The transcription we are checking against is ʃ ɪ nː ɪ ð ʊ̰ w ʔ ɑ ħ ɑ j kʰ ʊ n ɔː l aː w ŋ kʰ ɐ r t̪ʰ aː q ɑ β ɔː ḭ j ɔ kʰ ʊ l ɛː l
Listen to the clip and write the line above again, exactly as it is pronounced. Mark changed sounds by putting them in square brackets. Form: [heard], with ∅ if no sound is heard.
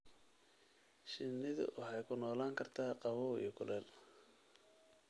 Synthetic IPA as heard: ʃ ɪ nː ɪ ð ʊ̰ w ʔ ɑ ħ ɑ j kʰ ʊ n ɔː l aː [∅] ŋ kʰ ɐ r t̪ʰ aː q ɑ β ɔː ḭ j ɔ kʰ ʊ l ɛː l